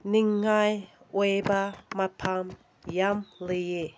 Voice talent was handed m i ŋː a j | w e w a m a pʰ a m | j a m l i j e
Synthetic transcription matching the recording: n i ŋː a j | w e b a m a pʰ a m | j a m l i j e